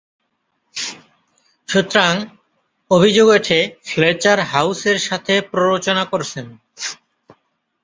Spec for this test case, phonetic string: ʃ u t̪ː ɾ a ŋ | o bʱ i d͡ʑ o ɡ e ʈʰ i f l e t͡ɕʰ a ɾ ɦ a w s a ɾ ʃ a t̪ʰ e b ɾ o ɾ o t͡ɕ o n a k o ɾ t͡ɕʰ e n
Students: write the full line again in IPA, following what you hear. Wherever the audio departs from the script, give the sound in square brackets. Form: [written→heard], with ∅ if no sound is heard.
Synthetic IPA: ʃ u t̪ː ɾ a ŋ | o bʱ i d͡ʑ o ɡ e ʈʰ [i→e] f l e [t͡ɕʰ→t͡ɕ] a ɾ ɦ a w s [a→e] ɾ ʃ a t̪ʰ e [b→p] ɾ o ɾ o t͡ɕ o n a k o ɾ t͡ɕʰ e n